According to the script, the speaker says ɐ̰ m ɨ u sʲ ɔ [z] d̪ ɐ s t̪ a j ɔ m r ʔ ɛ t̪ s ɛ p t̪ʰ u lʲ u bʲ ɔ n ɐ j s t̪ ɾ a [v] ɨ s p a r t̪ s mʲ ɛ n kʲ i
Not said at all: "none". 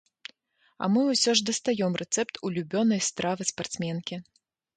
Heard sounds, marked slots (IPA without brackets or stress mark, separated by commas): ʐ, v